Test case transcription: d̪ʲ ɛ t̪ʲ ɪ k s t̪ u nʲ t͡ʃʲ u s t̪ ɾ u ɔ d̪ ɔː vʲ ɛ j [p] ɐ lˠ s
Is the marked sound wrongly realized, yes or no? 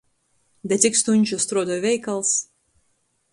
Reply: yes